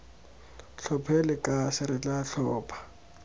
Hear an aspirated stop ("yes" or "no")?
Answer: yes